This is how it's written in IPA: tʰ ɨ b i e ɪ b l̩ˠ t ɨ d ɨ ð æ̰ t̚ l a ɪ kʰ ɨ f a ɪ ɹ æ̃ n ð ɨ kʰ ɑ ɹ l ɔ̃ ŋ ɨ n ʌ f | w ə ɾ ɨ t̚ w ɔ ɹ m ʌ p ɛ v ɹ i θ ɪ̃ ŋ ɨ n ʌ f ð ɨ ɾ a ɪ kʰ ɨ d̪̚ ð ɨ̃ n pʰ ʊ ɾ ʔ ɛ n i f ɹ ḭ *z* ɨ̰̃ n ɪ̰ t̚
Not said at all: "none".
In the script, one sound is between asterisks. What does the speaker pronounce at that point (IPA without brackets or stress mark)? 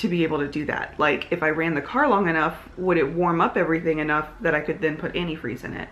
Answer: z